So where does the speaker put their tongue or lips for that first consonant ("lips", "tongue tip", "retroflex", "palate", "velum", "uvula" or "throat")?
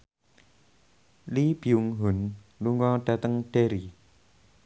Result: tongue tip